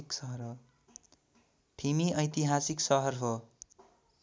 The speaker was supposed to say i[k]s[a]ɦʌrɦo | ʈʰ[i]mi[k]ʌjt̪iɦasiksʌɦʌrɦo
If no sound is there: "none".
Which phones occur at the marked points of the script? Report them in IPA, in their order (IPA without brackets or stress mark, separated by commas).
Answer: k, ʌ, i, none